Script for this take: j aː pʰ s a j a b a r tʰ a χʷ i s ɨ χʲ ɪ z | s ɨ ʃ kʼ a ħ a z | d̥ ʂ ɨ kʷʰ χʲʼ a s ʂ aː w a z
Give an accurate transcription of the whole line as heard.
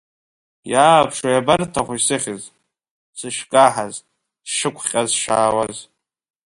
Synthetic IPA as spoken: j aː pʰ ʂ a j a b a r tʰ a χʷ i s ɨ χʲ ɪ z | s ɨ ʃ kʼ a ħ a z | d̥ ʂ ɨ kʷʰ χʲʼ a z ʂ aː w a z